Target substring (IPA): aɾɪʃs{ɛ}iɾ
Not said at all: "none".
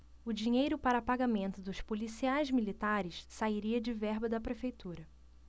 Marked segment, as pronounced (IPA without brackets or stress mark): a